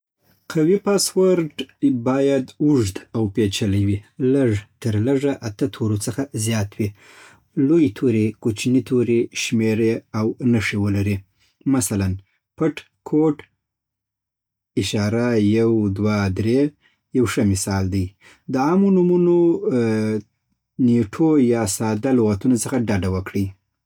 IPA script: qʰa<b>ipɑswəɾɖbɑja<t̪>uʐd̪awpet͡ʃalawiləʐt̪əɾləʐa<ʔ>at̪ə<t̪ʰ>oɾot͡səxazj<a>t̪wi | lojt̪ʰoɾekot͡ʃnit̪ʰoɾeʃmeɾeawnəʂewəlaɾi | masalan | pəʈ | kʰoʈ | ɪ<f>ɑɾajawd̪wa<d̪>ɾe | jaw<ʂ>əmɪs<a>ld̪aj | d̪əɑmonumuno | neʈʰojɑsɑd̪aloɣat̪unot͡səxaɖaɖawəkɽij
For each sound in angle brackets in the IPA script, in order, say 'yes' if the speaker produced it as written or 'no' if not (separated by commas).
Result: no, no, yes, yes, no, no, yes, yes, no